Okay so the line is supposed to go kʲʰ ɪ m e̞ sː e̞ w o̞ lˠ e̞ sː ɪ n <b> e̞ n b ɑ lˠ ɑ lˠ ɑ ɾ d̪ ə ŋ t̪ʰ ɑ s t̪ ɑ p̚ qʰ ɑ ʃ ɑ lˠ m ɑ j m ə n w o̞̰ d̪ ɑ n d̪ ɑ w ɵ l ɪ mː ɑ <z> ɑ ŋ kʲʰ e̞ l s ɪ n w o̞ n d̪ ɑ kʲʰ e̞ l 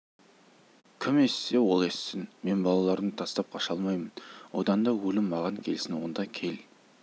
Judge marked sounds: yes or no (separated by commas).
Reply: no, no